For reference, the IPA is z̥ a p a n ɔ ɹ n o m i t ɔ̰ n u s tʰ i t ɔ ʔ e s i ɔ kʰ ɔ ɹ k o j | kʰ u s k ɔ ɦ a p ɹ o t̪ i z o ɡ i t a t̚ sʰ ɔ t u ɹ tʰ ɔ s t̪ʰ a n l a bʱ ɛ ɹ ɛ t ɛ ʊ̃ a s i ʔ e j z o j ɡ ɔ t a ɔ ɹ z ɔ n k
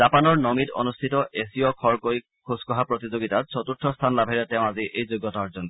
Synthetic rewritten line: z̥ a p a n ɔ ɹ n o m i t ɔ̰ n u s tʰ i t ɔ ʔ e s i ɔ kʰ ɔ ɹ k o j | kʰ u s k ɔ ɦ a p ɹ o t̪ i z o ɡ i t a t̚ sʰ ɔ t u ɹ tʰ ɔ s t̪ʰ a n l a bʱ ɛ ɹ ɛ t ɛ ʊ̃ a z i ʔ e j z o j ɡ ɔ t a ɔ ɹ z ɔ n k